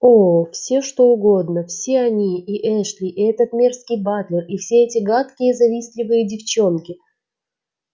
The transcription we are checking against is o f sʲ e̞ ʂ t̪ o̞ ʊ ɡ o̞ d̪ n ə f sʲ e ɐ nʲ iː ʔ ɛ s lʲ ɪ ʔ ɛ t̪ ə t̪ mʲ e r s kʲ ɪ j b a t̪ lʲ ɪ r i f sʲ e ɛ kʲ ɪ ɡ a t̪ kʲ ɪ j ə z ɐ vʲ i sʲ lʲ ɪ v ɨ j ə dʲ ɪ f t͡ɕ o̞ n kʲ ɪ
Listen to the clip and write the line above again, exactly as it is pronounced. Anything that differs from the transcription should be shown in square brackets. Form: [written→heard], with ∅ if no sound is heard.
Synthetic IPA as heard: o f sʲ e̞ ʂ t̪ o̞ ʊ ɡ o̞ d̪ n ə f sʲ e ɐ nʲ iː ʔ ɛ [s→ʂ] lʲ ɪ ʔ ɛ t̪ ə t̪ mʲ e r s kʲ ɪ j b a t̪ lʲ ɪ r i f sʲ e ɛ [kʲ→tʲ] ɪ ɡ a t̪ kʲ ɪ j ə z ɐ vʲ i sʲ lʲ ɪ v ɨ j ə dʲ ɪ f t͡ɕ o̞ n kʲ ɪ

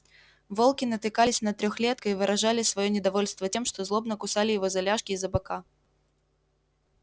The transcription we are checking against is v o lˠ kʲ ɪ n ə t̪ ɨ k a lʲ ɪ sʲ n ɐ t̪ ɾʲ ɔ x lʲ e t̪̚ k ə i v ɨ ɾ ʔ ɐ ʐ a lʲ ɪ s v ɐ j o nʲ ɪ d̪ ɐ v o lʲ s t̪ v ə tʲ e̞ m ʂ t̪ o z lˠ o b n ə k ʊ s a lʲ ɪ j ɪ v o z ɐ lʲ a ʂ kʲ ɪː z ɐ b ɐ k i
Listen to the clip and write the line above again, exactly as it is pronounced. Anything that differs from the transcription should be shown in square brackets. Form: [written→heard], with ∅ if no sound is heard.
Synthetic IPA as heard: v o lˠ kʲ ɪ n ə t̪ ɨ k a lʲ ɪ sʲ n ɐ t̪ ɾʲ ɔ x lʲ e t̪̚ k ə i v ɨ ɾ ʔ ɐ ʐ a lʲ ɪ s v ɐ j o nʲ ɪ d̪ ɐ v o lʲ s t̪ v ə tʲ e̞ m ʂ t̪ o z lˠ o b n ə k ʊ s a lʲ ɪ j ɪ v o z ɐ lʲ a ʂ kʲ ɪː z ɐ b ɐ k [i→a]

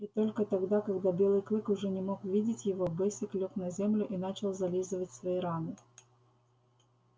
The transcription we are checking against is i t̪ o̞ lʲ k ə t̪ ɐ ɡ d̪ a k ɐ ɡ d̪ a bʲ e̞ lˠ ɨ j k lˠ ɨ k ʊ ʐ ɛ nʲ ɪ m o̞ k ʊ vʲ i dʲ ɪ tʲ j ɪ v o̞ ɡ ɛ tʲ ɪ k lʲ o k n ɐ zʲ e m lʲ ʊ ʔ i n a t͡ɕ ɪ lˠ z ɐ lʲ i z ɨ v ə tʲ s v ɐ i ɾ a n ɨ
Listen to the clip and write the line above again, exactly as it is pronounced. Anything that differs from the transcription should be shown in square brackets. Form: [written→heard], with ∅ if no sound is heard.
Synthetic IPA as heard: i t̪ o̞ lʲ k ə t̪ ɐ ɡ d̪ a k ɐ ɡ d̪ a bʲ e̞ lˠ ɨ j k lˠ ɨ k ʊ ʐ ɛ nʲ ɪ m o̞ k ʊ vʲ i dʲ ɪ tʲ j ɪ v o̞ [ɡ→b] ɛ [tʲ→sʲ] ɪ k lʲ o k n ɐ zʲ e m lʲ ʊ ʔ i n a t͡ɕ ɪ lˠ z ɐ lʲ i z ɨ v ə tʲ s v ɐ i ɾ a n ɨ

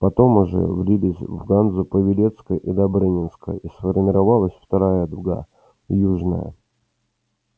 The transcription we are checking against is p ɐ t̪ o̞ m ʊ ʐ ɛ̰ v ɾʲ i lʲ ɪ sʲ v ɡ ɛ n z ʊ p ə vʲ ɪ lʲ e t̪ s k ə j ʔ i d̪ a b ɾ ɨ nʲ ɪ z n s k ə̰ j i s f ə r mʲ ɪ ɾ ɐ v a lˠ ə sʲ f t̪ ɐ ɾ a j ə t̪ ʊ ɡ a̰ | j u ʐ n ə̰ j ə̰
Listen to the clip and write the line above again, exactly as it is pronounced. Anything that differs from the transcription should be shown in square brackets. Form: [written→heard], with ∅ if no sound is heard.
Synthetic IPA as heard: p ɐ t̪ o̞ m ʊ ʐ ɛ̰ v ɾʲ i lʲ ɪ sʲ v ɡ [ɛ→a] n z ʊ p ə vʲ ɪ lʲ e t̪ s k ə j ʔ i d̪ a b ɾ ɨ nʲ ɪ [z→∅] n s k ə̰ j i s f ə r mʲ ɪ ɾ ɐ v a lˠ ə sʲ f t̪ ɐ ɾ a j ə [t̪→d̪] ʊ ɡ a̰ | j u ʐ n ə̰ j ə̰

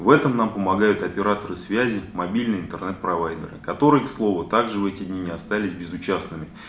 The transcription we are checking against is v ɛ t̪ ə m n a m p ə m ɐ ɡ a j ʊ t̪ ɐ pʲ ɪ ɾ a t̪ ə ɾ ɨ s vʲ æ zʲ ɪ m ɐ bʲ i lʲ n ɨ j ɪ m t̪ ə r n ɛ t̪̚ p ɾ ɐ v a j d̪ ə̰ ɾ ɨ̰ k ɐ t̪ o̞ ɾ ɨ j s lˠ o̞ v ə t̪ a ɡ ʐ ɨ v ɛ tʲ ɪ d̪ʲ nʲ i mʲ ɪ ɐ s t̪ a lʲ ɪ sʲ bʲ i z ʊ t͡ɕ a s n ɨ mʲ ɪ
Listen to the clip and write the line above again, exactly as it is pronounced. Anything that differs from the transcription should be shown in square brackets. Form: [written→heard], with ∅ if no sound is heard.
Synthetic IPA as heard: v ɛ t̪ ə m n a m p ə m ɐ ɡ a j ʊ t̪ ɐ pʲ ɪ ɾ a t̪ ə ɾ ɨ s vʲ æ zʲ ɪ m ɐ bʲ i lʲ n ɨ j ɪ [m→n] t̪ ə r n ɛ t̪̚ p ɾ ɐ v a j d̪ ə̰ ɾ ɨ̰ k ɐ t̪ o̞ ɾ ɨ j s lˠ o̞ v ə t̪ a ɡ ʐ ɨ v ɛ tʲ ɪ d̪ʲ nʲ i [mʲ→nʲ] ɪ ɐ s t̪ a lʲ ɪ sʲ bʲ [i→ɪ] z ʊ t͡ɕ a s n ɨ mʲ ɪ

